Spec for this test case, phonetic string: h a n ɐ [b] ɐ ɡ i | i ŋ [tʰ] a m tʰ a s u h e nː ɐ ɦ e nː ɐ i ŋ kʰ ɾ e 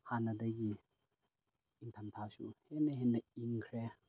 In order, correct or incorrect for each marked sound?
incorrect: d, correct

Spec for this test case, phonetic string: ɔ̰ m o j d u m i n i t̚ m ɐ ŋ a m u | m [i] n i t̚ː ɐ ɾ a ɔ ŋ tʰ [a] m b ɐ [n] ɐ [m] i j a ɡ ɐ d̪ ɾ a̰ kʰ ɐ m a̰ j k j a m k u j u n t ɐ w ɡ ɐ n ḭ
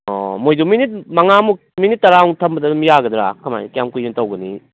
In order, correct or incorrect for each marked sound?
correct, incorrect: ɐ, incorrect: d, correct

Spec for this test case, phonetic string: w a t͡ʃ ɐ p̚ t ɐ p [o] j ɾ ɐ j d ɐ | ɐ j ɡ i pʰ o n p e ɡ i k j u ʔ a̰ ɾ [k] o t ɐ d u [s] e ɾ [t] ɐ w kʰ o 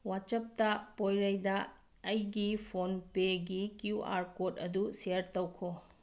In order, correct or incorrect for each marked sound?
correct, correct, correct, correct

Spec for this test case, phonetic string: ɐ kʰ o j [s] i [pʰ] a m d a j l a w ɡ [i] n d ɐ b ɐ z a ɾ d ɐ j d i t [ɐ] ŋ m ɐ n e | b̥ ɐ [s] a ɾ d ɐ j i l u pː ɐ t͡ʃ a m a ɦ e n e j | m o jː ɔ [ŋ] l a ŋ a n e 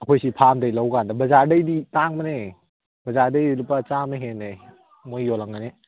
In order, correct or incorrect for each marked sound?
correct, correct, incorrect: a, incorrect: a, incorrect: z, incorrect: none

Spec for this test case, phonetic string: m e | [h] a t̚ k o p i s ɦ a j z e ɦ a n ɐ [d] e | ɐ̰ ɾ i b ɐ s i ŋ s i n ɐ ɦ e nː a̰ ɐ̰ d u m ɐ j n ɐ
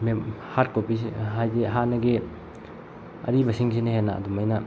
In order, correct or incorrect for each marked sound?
correct, incorrect: ɡ

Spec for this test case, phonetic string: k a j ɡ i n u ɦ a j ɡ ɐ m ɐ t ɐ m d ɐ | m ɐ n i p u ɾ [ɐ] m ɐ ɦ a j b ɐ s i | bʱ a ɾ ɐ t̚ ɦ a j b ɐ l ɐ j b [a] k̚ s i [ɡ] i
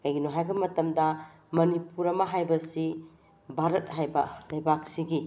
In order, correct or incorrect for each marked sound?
correct, correct, correct

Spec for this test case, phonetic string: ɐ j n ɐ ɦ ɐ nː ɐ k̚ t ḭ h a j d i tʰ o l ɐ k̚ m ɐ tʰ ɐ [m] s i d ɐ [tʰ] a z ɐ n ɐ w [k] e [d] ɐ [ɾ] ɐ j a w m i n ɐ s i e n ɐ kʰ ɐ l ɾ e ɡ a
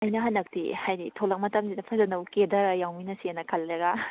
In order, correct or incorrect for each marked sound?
correct, incorrect: pʰ, correct, correct, correct

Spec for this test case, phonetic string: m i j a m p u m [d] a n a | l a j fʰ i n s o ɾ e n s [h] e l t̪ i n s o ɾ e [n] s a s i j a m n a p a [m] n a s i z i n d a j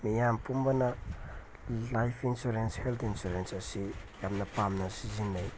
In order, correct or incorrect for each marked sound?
incorrect: b, correct, correct, correct

